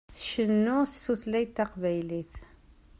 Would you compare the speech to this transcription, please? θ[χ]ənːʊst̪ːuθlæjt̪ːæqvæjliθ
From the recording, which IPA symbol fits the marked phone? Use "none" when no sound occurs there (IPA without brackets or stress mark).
ʃ